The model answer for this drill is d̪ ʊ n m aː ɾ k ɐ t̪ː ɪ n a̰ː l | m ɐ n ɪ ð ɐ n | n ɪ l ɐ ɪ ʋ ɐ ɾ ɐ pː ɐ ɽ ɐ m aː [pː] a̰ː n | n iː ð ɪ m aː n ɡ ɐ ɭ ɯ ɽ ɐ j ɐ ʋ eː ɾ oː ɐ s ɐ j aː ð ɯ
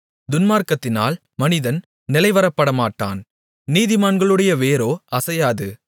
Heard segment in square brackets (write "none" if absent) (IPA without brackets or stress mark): ʈː